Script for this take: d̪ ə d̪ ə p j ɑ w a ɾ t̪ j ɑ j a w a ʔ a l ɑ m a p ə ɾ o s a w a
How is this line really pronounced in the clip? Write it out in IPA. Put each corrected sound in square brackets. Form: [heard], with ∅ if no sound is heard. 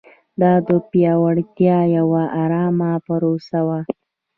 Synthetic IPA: d̪ [ɑ] d̪ ə p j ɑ w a [ɽ] t̪ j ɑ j a w a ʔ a [ɾ] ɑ m a p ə ɾ o s a w a